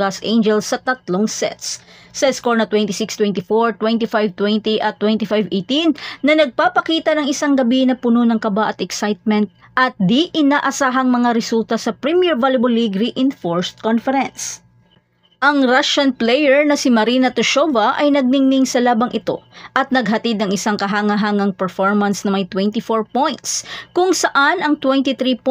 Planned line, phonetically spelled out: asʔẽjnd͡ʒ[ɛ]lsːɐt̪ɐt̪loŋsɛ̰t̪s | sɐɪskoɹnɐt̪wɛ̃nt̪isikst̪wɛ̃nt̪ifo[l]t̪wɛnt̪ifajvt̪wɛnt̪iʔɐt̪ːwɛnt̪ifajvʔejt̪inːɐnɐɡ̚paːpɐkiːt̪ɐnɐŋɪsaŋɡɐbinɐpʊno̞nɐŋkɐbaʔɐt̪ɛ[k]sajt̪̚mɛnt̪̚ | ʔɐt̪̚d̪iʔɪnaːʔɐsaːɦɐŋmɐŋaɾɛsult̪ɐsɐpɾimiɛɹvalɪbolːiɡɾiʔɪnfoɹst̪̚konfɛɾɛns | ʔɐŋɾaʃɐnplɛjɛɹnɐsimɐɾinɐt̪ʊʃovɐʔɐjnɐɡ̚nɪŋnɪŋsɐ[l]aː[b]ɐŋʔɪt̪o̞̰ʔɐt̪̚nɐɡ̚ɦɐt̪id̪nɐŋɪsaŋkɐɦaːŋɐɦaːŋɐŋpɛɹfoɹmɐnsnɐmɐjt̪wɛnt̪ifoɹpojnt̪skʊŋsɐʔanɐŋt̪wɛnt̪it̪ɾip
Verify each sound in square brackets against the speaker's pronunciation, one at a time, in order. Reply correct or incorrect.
correct, incorrect, correct, correct, correct

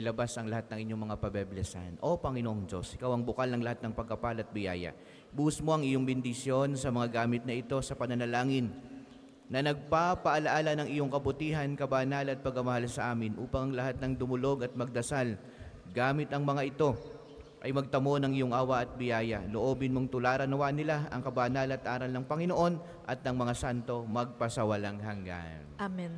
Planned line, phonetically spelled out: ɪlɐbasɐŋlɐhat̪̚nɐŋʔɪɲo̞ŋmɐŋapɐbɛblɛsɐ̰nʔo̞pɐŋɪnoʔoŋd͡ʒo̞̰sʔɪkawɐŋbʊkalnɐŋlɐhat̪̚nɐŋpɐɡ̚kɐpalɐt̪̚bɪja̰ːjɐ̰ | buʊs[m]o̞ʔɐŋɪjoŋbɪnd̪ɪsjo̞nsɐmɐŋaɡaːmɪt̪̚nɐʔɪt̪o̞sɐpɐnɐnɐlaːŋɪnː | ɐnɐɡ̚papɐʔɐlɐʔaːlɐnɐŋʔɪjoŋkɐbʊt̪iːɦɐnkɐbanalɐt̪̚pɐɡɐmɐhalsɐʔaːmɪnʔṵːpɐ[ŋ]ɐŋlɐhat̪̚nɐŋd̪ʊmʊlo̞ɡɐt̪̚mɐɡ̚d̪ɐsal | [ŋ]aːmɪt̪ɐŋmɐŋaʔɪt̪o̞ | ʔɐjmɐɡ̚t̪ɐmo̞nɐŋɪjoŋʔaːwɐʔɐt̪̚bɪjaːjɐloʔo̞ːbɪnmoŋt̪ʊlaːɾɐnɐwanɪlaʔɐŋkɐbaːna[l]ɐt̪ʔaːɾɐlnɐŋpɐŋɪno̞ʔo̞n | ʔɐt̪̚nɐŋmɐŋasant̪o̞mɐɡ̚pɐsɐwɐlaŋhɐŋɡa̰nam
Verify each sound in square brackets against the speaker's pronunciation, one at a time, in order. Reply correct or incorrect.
correct, correct, incorrect, correct

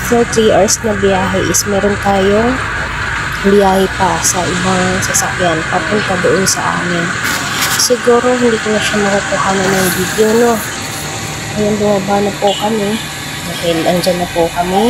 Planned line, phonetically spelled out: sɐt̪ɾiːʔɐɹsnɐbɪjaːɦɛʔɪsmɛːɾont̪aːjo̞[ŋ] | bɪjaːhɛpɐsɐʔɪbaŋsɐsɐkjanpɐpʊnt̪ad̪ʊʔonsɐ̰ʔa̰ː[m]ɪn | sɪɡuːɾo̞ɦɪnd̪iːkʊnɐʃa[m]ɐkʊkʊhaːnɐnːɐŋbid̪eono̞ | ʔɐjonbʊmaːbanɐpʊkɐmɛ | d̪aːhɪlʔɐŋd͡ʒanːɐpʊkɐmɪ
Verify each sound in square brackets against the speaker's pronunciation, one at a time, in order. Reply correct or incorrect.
correct, correct, correct

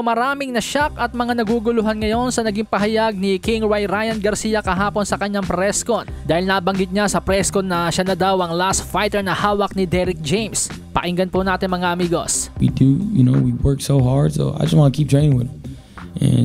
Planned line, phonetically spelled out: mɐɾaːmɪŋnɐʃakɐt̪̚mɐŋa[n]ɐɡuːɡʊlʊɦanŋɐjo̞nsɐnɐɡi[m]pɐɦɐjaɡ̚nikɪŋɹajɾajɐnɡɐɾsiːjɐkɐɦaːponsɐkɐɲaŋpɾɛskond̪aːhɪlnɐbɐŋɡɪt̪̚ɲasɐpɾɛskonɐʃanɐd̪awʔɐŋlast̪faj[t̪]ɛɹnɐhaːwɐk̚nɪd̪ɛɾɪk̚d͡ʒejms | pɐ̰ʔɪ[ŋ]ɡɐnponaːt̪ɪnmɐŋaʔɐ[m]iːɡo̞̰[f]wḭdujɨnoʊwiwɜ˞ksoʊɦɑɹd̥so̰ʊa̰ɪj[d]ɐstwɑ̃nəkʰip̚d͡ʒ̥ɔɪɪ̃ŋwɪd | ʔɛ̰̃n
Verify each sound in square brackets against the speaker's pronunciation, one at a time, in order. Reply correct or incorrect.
correct, incorrect, correct, correct, correct, incorrect, incorrect

